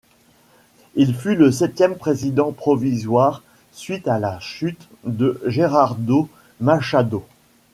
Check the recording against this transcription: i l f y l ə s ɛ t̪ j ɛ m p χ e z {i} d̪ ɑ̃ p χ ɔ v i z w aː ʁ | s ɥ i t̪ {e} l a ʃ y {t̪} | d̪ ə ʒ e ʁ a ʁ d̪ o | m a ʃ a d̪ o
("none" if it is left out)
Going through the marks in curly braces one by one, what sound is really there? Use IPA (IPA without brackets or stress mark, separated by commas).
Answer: i, a, t̪